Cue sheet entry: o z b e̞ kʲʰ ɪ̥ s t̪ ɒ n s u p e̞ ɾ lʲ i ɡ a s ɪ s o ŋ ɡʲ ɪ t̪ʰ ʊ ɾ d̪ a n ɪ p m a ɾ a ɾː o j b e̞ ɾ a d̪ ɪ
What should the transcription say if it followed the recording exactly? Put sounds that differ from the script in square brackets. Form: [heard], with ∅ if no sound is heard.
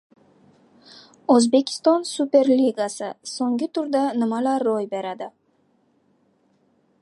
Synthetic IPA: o z b e̞ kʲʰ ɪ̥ s t̪ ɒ n s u p e̞ ɾ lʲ i ɡ a s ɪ s o ŋ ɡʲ ɪ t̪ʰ ʊ ɾ d̪ a n ɪ [∅] m a [l] a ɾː o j b e̞ ɾ a d̪ ɪ